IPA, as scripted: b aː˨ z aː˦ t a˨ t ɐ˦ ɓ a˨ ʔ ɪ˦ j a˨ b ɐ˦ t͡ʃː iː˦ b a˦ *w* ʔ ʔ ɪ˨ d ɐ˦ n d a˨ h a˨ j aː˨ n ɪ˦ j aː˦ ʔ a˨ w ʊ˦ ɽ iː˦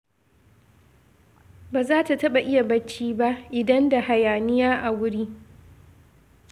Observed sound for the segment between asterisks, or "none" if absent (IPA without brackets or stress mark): none